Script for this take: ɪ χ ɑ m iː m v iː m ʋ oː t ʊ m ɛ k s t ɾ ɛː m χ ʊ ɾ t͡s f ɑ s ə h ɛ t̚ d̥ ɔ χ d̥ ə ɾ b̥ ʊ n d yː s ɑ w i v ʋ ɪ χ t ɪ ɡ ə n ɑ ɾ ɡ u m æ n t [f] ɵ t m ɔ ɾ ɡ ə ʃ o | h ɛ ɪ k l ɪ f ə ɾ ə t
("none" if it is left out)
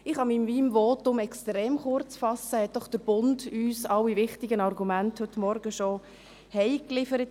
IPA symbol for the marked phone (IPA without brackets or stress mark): h